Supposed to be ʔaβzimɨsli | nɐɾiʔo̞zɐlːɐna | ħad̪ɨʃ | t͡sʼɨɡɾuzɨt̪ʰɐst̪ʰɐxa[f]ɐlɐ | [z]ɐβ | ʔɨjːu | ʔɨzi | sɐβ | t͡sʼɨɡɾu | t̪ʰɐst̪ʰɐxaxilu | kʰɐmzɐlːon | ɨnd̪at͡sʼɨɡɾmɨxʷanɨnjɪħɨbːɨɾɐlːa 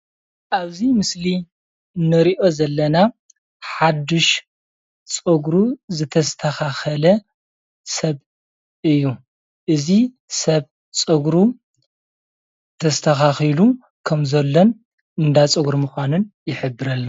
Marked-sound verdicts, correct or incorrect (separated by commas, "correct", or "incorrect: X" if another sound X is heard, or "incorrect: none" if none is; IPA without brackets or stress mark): incorrect: x, incorrect: s